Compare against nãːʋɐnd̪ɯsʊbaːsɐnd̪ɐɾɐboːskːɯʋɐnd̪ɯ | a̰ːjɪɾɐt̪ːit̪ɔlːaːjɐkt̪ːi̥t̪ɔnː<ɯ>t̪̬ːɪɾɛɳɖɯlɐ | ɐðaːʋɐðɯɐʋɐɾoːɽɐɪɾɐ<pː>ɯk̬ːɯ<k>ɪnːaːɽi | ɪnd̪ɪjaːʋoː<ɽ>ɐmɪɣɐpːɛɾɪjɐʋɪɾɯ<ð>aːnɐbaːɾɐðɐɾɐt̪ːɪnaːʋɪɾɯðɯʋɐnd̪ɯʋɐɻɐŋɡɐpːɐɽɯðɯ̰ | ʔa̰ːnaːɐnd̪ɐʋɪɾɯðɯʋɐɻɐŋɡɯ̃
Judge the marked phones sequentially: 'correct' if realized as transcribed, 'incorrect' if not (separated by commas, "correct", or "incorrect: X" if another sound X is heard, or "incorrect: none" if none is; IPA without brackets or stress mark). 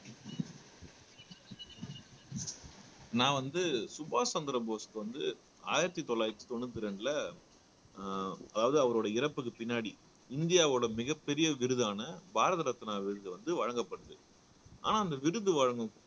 correct, correct, incorrect: p, correct, correct